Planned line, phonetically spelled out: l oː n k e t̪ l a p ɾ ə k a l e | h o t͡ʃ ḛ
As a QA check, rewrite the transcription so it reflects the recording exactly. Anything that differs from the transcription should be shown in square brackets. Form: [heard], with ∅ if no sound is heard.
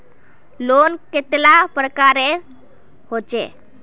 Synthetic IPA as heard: l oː n k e t̪ l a p ɾ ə k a [ɾ] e | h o t͡ʃ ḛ